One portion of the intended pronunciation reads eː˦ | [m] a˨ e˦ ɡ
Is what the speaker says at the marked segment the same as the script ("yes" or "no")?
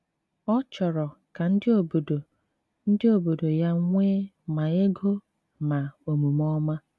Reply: yes